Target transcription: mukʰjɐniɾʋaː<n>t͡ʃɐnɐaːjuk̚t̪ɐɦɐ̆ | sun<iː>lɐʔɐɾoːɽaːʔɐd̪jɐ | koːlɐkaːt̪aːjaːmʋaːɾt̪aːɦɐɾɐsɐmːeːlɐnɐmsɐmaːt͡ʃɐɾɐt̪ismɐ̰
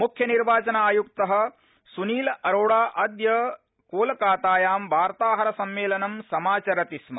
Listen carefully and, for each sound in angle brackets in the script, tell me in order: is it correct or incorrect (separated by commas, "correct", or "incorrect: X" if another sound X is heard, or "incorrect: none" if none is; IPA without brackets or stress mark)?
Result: incorrect: none, correct